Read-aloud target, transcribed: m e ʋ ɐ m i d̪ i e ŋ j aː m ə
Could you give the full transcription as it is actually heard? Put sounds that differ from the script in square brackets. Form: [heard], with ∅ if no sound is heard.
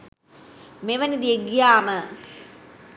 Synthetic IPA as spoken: m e ʋ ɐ [n] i d̪ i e [ɡ] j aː m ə